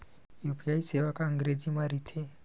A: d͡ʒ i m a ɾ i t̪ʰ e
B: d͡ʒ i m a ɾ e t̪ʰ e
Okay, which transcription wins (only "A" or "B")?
A